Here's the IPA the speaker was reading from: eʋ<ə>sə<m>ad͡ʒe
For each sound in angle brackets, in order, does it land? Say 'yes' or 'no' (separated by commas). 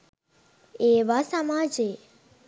no, yes